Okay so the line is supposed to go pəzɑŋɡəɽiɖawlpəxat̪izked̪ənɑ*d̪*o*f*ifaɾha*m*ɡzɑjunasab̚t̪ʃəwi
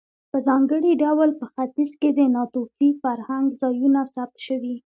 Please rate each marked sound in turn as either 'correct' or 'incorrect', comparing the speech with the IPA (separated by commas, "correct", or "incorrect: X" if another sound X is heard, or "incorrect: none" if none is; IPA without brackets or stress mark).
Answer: incorrect: t̪, correct, incorrect: ŋ